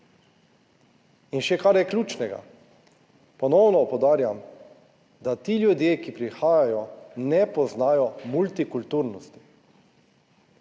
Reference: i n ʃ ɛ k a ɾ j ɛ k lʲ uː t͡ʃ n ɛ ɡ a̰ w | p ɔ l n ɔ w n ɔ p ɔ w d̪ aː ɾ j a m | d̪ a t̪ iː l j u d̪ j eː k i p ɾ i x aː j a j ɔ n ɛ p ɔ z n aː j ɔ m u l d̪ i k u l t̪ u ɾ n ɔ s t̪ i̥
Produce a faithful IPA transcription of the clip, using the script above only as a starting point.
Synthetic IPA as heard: i n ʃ ɛ k a ɾ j ɛ k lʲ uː t͡ʃ n ɛ ɡ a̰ | p ɔ n ɔ w n ɔ p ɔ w d̪ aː ɾ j a m | d̪ a t̪ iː l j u d̪ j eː k i p ɾ i x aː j a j ɔ n ɛ p ɔ z n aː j ɔ m u l t̪ i k u l t̪ u ɾ n ɔ s t̪ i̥